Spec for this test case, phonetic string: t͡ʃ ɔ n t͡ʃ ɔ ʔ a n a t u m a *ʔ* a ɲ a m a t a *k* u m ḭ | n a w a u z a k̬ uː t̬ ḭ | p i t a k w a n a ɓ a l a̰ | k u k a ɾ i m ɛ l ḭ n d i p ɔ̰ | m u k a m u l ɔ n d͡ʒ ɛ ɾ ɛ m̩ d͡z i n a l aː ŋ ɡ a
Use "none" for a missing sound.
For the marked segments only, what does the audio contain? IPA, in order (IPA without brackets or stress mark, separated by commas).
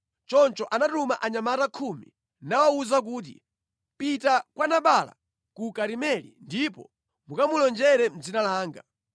ʔ, kʰ